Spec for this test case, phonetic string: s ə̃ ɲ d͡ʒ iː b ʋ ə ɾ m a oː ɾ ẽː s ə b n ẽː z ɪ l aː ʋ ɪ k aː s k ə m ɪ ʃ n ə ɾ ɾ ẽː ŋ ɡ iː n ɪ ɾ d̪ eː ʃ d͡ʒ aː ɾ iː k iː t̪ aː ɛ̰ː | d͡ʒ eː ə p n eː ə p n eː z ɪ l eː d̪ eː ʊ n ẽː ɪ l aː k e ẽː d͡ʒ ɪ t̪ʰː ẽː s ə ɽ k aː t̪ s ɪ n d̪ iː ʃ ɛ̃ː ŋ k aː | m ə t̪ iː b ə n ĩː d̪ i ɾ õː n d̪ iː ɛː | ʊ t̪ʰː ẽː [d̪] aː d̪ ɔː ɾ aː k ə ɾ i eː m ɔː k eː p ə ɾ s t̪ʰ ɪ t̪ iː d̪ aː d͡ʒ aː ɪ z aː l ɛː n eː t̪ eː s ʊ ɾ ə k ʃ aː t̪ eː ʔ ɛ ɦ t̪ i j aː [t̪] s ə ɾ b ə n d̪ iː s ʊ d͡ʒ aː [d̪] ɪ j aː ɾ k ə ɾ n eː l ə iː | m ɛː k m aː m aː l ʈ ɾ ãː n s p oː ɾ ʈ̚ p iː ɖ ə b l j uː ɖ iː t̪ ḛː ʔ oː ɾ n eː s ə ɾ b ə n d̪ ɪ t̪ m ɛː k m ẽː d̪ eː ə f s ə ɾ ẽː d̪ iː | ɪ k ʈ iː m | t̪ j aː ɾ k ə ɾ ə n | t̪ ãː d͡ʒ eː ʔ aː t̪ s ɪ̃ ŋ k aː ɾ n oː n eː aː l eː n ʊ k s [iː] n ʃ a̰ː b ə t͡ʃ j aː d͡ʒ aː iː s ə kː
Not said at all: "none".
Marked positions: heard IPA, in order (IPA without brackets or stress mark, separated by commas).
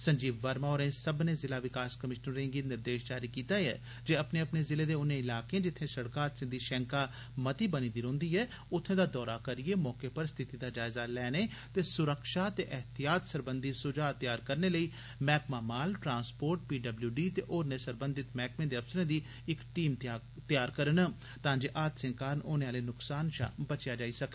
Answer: d̪, t̪, t̪, aː